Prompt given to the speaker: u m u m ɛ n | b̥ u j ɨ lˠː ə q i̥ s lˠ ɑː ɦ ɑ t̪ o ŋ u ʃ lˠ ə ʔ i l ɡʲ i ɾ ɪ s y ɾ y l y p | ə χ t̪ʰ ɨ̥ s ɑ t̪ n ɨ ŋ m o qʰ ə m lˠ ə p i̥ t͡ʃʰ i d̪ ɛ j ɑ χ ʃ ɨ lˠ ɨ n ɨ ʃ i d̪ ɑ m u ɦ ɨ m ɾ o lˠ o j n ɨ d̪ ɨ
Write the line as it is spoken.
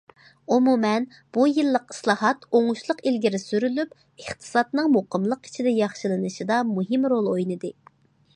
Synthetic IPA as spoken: u m u m ɛ n | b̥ u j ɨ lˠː ə q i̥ s lˠ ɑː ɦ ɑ t̪ o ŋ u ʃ lˠ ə q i l ɡʲ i ɾ ɪ s y ɾ y l y p | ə χ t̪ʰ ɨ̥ s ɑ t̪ n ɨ ŋ m o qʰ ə m lˠ ə q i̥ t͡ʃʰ i d̪ ɛ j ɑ χ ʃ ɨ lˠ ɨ n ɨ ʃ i d̪ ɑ m u ɦ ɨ m ɾ o lˠ o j n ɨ d̪ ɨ

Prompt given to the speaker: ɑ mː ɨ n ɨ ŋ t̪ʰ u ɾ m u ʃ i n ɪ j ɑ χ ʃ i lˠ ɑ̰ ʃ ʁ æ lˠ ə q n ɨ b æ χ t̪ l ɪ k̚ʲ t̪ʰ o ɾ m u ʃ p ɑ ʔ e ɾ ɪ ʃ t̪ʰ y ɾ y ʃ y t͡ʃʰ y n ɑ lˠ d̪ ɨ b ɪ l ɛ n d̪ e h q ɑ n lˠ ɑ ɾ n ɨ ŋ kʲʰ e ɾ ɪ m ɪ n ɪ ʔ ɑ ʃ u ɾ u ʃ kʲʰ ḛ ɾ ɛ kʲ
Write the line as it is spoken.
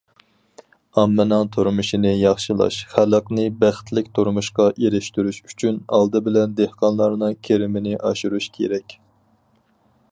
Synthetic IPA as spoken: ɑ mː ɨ n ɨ ŋ t̪ʰ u ɾ m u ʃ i n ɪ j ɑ χ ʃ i lˠ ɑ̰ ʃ χ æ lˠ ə q n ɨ b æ χ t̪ l ɪ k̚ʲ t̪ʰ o ɾ m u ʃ q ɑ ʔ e ɾ ɪ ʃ t̪ y ɾ y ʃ y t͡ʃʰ y n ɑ lˠ d̪ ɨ b ɪ l ɛ n d̪ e h q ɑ n lˠ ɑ ɾ n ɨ ŋ kʲʰ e ɾ ɪ m ɪ n ɪ ʔ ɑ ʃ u ɾ u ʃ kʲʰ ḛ ɾ ɛ kʲ

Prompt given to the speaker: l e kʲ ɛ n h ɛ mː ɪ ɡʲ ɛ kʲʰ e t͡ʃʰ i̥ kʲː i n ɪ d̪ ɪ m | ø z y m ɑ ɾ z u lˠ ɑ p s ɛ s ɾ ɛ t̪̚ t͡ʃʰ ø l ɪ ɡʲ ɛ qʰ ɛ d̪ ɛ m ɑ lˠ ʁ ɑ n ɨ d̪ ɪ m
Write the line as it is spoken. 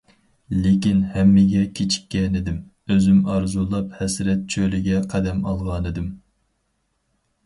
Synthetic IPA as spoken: l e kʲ i n h ɛ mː ɪ ɡʲ ɛ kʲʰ e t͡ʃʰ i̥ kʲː ɛ n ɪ d̪ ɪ m | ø z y m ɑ ɾ z u lˠ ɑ p h ɛ s ɾ ɛ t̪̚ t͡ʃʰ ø l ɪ ɡʲ ɛ qʰ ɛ d̪ ɛ m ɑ lˠ ʁ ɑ n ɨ d̪ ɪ m

